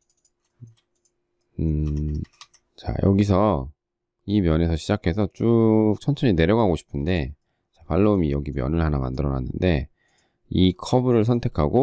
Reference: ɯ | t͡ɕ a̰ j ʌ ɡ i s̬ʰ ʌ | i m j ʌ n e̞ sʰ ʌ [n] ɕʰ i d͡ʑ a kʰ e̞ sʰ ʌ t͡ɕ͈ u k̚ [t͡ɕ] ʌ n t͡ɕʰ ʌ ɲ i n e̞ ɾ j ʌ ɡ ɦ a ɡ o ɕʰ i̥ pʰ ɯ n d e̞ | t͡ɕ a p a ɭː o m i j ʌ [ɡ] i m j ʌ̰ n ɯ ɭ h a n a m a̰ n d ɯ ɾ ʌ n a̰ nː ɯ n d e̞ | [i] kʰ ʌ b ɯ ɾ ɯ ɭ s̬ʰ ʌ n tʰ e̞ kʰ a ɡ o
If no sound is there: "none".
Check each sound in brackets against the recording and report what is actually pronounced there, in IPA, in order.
none, t͡ɕʰ, ɡ, i

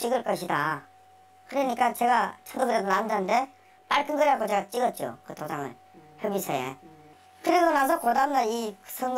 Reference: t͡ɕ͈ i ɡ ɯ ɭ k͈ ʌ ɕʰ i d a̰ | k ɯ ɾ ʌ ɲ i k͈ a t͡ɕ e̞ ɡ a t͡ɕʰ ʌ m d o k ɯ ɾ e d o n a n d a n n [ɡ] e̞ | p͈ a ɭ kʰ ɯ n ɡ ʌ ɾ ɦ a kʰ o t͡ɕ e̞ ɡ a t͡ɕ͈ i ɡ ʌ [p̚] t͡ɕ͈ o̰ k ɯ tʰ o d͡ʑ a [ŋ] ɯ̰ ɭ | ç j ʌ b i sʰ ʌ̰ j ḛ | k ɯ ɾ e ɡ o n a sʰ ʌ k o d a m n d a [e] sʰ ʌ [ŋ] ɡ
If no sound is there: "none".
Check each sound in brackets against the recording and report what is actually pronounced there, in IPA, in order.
d, t̚, ŋ, i, ŋ

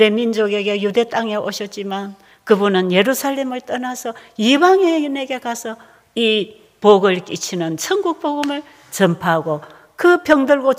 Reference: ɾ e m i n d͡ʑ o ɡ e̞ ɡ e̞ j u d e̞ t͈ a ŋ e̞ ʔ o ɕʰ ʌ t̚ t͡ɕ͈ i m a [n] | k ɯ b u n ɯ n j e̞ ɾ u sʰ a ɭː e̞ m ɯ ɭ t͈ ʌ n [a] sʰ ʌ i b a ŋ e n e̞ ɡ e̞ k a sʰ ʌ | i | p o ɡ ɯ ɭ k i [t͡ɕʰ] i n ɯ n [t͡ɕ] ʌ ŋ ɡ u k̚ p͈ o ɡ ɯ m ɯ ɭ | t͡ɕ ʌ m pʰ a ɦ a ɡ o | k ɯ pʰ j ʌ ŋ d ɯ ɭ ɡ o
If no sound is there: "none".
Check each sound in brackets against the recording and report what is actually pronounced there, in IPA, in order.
n, a, t͡ɕʰ, t͡ɕʰ

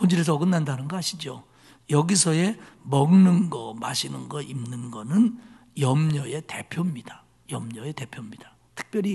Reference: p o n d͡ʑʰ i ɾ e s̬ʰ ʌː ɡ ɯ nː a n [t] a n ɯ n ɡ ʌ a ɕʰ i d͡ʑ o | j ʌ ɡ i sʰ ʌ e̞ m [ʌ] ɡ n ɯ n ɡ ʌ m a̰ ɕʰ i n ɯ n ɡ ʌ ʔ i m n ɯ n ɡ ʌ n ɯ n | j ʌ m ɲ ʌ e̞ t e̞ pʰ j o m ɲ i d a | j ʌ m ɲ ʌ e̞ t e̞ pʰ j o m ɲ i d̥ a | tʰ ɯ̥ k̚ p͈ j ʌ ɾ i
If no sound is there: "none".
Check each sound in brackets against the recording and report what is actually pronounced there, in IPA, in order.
d, ʌ

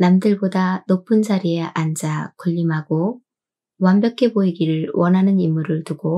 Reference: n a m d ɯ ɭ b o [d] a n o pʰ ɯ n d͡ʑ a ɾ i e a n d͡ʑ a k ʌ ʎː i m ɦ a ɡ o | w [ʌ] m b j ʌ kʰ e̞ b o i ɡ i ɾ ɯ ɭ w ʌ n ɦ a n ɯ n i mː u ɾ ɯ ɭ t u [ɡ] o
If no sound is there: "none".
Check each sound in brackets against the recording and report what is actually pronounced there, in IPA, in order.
d, a, ɡ

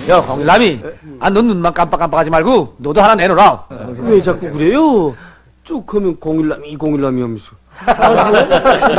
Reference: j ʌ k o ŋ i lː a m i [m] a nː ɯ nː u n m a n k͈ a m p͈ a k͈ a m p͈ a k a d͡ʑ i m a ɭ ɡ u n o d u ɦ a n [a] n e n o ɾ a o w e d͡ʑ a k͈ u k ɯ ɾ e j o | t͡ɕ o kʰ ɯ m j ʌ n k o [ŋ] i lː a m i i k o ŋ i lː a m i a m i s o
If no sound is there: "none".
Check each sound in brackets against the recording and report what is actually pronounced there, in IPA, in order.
none, a, ŋ

